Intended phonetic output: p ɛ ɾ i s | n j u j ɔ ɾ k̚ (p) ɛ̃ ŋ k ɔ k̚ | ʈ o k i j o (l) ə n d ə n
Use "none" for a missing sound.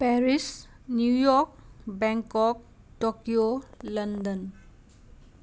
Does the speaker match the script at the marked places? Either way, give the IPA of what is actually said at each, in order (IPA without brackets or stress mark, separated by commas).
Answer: b, l